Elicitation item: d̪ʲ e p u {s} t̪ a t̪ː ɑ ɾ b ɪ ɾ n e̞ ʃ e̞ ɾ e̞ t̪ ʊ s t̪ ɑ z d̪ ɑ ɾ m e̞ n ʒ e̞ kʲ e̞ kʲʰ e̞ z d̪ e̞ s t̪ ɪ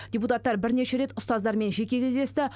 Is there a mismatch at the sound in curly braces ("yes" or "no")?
yes